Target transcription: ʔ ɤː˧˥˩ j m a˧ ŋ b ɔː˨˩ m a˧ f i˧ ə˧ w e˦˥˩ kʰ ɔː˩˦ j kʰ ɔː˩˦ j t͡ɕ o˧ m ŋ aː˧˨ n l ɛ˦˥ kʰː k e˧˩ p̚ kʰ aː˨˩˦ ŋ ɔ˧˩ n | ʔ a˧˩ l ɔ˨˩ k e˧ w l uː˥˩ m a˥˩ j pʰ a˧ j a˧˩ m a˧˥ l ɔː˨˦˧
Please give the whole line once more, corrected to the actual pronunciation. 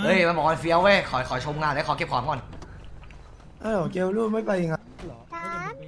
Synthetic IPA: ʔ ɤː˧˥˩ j m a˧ n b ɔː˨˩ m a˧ f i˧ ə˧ w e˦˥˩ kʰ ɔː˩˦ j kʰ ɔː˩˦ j t͡ɕʰ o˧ m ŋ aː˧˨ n l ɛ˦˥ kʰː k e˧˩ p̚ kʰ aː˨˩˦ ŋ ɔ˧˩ n | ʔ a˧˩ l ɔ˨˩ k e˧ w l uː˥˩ m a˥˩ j p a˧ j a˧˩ ŋ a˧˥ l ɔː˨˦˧